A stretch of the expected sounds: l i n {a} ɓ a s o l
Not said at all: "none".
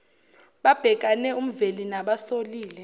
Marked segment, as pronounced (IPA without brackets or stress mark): a